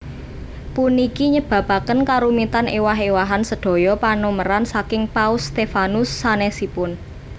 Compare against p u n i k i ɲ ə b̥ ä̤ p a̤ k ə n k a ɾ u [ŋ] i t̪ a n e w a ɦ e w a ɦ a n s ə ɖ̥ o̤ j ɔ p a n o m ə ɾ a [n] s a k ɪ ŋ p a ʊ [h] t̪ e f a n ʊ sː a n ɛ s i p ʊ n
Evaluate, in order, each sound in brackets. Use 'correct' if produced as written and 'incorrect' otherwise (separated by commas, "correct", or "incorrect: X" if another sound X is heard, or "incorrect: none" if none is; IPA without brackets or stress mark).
incorrect: m, correct, incorrect: s